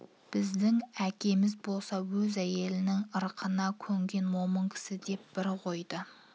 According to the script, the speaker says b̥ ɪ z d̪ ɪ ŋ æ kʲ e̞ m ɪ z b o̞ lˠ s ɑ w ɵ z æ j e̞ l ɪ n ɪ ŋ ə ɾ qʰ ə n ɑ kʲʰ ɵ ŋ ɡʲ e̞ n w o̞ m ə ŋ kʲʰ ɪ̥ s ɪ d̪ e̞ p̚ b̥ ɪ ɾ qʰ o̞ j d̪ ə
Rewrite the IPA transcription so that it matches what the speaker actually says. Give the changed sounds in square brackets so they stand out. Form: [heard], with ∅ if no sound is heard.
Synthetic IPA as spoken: b̥ ɪ z d̪ ɪ ŋ æ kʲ e̞ m ɪ z b o̞ lˠ s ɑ w ɵ z æ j e̞ l ɪ n ɪ ŋ ə ɾ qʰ ə n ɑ kʲʰ ɵ ŋ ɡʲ e̞ n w o̞ m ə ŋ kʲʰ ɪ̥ s ɪ d̪ e̞ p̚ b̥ ɪ ɾ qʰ o̞ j d̪ ə